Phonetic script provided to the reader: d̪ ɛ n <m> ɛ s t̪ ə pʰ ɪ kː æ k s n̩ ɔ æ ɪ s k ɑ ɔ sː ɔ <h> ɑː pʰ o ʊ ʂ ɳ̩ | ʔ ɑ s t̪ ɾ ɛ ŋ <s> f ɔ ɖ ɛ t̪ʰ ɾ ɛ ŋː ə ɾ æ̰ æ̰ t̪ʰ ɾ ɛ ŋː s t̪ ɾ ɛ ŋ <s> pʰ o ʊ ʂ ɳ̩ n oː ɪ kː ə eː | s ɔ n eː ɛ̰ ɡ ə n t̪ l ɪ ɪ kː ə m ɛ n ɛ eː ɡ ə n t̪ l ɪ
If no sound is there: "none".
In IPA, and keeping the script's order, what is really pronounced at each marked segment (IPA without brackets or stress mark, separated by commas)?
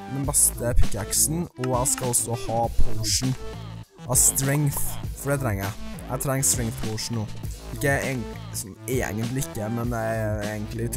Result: b, h, θ, θ